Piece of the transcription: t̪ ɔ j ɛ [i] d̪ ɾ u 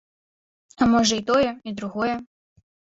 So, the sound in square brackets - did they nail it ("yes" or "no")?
yes